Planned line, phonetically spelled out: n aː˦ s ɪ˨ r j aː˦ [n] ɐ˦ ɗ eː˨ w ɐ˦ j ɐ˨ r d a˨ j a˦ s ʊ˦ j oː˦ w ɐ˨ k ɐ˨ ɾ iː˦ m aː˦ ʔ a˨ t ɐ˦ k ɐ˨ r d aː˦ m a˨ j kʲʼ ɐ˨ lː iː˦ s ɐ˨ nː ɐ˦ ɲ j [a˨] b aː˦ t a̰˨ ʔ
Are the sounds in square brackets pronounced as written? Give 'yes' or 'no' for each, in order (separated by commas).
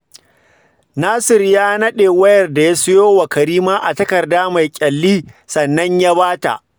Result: yes, no